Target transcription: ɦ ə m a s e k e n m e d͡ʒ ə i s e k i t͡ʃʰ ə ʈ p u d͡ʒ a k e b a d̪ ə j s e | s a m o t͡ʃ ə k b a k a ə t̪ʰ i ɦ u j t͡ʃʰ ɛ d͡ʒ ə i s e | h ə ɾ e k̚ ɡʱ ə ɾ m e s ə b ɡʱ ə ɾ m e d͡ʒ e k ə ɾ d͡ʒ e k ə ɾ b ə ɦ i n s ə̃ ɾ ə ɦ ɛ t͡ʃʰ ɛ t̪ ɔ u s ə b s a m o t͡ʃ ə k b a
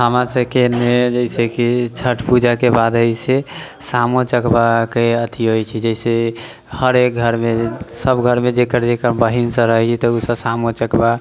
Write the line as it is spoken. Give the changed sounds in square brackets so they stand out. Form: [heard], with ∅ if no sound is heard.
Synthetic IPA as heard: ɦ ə m a s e k e n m e d͡ʒ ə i s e k i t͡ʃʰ ə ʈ p u d͡ʒ a k e b a d̪ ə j s e | s a m o t͡ʃ ə k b a k [e] ə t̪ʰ i ɦ [o] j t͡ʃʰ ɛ d͡ʒ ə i s e | h ə ɾ e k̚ ɡʱ ə ɾ m e s ə b ɡʱ ə ɾ m e d͡ʒ e k ə ɾ d͡ʒ e k ə ɾ b ə ɦ i n s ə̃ ɾ ə ɦ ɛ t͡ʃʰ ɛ t̪ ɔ u s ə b s a m o t͡ʃ ə k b a